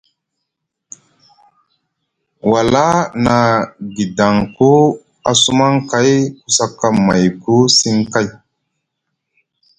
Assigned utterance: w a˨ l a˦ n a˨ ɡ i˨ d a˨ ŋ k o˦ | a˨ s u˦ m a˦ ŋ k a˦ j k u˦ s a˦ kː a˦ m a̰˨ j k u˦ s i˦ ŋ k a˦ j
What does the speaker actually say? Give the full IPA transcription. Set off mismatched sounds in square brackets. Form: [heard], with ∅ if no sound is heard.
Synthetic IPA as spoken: w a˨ l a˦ n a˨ ɡ i˨ d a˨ ŋ k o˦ | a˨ s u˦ m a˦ ŋ k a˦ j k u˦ s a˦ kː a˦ m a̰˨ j k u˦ s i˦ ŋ k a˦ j